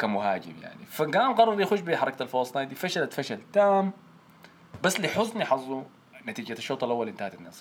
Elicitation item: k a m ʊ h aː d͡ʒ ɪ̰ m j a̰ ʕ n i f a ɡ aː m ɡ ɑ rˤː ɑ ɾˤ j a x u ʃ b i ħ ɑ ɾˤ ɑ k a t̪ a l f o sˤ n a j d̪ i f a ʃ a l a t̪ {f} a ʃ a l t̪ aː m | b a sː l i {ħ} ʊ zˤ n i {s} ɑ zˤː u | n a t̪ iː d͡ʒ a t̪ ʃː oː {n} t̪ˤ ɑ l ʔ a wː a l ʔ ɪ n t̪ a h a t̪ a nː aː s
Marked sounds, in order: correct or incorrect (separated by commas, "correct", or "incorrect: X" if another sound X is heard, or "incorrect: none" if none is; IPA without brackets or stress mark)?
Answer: correct, correct, incorrect: ħ, incorrect: none